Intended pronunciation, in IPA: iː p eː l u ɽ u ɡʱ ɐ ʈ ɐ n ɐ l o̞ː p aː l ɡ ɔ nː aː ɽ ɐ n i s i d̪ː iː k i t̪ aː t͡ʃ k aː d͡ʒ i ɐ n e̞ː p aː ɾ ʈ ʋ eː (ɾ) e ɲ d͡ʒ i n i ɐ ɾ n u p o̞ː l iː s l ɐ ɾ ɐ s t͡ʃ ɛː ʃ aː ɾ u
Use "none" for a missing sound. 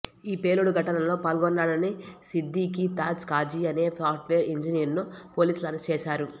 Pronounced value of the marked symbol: ɾ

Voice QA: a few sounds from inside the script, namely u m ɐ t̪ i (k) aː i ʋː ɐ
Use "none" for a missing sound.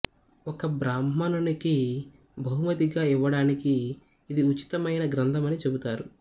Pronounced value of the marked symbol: ɡ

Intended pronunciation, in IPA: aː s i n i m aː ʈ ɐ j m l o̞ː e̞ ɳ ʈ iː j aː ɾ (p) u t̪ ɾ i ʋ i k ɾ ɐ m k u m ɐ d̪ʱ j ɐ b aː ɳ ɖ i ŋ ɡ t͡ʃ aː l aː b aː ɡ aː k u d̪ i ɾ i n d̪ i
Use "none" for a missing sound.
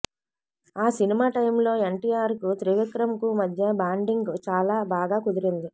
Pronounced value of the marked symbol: k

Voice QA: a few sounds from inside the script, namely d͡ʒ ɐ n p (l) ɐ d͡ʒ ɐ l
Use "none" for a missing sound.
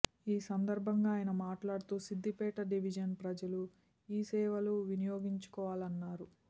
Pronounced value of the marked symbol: ɾ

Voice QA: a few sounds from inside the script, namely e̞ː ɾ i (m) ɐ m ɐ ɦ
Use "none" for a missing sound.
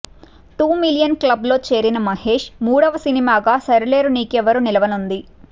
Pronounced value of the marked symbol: n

